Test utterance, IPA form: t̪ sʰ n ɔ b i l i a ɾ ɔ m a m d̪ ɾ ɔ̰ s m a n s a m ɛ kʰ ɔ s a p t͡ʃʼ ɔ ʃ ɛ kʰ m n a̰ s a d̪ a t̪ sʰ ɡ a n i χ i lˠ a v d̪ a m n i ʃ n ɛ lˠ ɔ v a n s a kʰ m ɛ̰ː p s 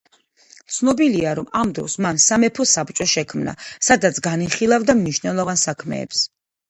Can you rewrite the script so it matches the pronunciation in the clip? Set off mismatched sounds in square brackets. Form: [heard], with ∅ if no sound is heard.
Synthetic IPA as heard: t̪ sʰ n ɔ b i l i a ɾ ɔ m a m d̪ ɾ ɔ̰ s m a n s a m ɛ [pʰ] ɔ s a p t͡ʃʼ ɔ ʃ ɛ kʰ m n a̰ s a d̪ a t̪ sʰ ɡ a n i χ i lˠ a v d̪ a m n i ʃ n ɛ lˠ ɔ v a n s a kʰ m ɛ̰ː p s